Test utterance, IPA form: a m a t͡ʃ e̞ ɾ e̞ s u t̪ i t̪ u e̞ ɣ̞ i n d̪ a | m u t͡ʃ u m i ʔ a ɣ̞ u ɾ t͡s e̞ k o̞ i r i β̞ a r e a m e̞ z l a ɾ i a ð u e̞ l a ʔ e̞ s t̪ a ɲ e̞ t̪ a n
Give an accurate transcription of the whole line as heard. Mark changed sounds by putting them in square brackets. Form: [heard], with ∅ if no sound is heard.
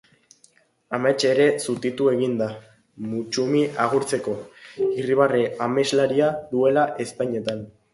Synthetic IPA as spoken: a m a t͡ʃ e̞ ɾ e̞ s u t̪ i t̪ u e̞ ɣ̞ i n d̪ a | m u t͡ʃ u m i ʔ a ɣ̞ u ɾ t͡s e̞ k o̞ i r i β̞ a r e a m e̞ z l a ɾ i a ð u e̞ l a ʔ e̞ s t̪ a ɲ e̞ t̪ a n